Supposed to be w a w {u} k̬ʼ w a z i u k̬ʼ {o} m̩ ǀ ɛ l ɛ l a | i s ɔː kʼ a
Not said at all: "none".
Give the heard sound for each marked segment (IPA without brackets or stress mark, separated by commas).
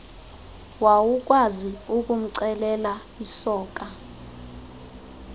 u, u